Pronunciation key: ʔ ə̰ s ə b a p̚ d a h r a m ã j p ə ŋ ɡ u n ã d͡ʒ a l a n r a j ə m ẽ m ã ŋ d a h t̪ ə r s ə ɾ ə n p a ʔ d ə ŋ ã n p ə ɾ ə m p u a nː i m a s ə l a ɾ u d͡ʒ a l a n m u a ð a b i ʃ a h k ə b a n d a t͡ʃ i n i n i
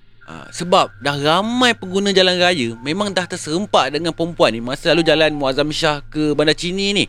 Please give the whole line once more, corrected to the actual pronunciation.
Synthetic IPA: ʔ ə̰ s ə b a p̚ d a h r a m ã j p ə ŋ ɡ u n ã d͡ʒ a l a n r a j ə m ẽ m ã ŋ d a h t̪ ə r s ə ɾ ə m p a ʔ d ə ŋ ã n p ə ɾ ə m p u a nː i m a s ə l a l u d͡ʒ a l a n m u a z a m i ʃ a h k ə b a n d a t͡ʃ i n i n i